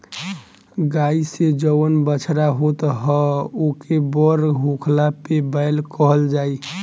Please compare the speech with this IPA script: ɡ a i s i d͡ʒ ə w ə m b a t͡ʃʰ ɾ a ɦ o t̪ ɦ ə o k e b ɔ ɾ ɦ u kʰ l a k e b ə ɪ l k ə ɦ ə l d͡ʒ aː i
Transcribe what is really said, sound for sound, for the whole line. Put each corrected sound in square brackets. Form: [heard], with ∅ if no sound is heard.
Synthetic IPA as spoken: ɡ a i s [e] d͡ʒ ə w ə [n] b [ə] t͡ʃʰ ɾ a ɦ o t̪ ɦ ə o k e b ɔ ɾ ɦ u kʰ l a [p] e b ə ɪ l k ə ɦ ə l d͡ʒ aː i